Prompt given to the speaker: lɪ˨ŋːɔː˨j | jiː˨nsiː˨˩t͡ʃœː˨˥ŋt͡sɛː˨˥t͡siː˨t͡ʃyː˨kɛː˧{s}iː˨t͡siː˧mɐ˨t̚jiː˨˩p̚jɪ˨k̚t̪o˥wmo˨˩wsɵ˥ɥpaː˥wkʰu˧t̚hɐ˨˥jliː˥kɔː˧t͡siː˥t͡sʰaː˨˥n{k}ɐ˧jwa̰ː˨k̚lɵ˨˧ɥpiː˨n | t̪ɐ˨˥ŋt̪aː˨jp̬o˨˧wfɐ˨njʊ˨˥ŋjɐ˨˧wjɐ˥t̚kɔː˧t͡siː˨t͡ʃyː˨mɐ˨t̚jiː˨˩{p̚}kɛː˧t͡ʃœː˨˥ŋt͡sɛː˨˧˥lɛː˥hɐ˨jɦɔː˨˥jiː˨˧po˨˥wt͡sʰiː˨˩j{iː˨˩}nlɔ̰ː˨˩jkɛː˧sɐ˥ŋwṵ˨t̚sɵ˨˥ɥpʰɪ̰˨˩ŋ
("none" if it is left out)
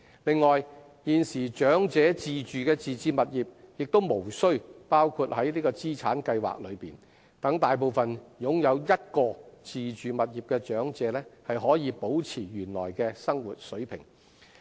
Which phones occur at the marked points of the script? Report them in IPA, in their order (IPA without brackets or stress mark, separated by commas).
t͡s, k, p̚, yː˨˩